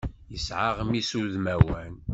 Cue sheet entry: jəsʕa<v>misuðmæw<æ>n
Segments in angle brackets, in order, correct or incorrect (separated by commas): incorrect, correct